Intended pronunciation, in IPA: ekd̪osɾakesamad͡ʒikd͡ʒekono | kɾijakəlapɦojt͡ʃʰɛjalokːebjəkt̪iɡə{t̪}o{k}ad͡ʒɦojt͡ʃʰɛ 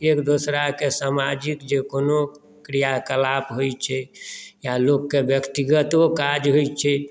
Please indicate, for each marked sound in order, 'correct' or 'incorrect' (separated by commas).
correct, correct